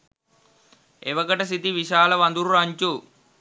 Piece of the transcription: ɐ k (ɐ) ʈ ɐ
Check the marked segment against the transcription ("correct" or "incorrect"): correct